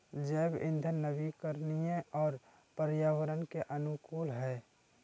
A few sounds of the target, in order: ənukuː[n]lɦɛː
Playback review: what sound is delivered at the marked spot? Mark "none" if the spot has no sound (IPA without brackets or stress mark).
none